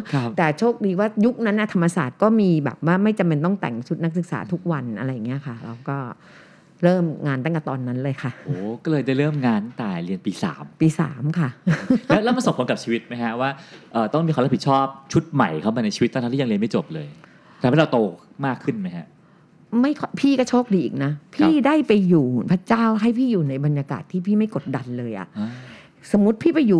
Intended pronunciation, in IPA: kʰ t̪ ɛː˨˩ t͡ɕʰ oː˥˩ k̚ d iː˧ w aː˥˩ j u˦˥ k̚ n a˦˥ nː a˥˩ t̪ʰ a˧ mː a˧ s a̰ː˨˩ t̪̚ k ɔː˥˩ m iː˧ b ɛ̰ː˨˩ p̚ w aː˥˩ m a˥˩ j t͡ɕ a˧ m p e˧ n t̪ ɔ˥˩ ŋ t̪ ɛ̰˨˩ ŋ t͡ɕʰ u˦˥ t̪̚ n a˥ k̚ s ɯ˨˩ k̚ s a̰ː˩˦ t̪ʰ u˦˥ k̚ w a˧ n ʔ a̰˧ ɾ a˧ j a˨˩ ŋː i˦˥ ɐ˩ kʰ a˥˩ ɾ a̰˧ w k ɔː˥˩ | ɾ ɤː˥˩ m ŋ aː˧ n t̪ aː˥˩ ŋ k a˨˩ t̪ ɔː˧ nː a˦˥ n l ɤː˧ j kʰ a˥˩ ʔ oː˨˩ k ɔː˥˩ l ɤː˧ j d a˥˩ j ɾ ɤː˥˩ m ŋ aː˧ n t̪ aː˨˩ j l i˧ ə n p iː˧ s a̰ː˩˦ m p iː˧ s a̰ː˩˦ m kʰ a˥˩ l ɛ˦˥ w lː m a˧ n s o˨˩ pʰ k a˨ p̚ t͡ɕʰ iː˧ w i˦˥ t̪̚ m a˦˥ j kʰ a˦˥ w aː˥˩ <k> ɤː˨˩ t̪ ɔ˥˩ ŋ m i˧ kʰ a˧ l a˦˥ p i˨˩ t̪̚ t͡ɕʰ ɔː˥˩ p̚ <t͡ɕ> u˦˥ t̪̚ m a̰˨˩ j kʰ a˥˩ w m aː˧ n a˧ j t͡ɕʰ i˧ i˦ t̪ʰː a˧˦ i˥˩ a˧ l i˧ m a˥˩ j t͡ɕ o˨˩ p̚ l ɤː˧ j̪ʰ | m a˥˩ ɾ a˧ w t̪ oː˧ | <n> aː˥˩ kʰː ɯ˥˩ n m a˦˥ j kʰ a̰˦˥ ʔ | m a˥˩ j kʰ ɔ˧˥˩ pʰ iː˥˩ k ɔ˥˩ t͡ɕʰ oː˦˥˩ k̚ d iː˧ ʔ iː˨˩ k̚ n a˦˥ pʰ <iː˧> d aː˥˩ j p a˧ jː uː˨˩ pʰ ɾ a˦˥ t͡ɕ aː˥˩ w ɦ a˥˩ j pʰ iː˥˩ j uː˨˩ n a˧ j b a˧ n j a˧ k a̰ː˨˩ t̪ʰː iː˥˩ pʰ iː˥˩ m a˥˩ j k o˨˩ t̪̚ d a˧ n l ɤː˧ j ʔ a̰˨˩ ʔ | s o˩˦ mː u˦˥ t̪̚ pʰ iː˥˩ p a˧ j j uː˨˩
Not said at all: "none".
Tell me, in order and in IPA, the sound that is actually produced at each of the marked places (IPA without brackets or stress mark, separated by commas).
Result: ʔ, t͡ɕʰ, m, iː˧˥˩